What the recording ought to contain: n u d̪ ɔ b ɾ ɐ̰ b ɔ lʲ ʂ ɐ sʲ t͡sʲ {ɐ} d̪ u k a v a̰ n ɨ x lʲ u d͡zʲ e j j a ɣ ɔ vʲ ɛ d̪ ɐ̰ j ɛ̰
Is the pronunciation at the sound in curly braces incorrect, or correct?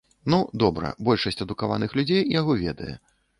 correct